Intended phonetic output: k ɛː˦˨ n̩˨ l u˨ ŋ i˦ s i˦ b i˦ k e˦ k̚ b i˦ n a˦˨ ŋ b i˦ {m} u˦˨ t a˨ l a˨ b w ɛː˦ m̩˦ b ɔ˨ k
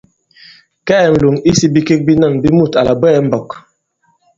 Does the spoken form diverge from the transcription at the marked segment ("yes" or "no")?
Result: no